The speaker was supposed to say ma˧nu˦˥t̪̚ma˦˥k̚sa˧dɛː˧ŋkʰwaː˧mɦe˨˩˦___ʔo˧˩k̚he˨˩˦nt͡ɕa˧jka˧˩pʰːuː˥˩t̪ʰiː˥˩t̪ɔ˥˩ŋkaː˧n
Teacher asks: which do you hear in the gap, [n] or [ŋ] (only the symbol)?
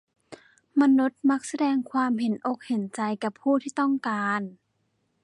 n